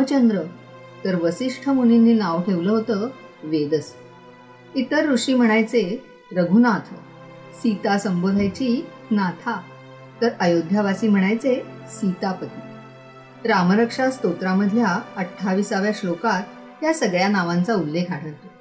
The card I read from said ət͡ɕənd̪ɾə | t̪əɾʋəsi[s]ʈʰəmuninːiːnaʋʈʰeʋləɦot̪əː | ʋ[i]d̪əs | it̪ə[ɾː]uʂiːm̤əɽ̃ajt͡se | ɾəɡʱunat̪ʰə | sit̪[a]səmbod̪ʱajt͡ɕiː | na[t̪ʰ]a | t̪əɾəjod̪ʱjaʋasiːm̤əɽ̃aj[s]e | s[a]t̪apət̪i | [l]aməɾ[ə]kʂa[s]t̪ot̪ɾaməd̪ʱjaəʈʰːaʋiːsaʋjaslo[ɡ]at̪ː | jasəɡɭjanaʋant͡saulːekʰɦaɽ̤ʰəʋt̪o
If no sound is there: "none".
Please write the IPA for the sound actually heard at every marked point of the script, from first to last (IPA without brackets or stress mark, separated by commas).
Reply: ʂ, e, ɾː, a, t̪ʰ, t͡s, i, ɾ, ə, s, k